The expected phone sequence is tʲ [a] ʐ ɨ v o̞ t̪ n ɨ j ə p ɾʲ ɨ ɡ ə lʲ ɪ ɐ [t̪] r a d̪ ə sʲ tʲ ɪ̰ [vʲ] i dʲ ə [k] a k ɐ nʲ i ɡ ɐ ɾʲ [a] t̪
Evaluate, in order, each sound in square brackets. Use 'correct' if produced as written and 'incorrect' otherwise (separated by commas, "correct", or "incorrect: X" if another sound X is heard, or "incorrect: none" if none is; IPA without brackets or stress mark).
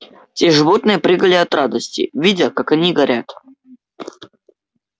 incorrect: e, correct, correct, correct, correct